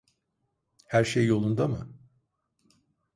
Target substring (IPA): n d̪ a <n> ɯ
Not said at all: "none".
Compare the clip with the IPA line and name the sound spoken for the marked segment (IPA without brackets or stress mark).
m